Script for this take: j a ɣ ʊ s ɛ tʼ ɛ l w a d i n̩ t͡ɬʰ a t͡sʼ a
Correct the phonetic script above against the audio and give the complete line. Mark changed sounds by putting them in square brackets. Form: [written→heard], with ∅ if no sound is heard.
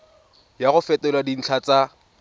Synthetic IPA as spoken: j a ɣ ʊ [s→f] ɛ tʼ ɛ l w a d i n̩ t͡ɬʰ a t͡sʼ a